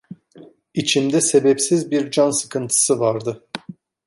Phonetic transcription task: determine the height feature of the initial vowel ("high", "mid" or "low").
high